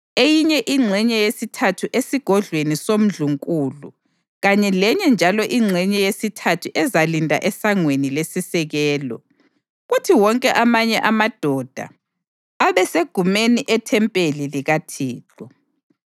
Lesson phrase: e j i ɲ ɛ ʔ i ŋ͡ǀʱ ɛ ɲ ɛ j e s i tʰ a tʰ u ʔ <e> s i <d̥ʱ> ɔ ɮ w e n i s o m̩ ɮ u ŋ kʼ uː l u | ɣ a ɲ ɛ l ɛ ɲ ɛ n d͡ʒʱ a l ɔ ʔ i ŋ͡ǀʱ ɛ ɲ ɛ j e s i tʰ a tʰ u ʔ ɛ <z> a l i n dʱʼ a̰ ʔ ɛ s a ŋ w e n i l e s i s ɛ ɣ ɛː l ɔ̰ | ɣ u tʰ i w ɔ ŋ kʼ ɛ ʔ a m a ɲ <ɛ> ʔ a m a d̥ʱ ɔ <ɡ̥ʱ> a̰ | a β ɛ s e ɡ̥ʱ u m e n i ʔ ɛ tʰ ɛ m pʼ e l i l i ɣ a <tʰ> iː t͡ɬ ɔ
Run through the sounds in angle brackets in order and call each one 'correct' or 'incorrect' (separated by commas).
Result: correct, incorrect, correct, correct, incorrect, correct